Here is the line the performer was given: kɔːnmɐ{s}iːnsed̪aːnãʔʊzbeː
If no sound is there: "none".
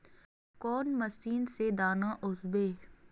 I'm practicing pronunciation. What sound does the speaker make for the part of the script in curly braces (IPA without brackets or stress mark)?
s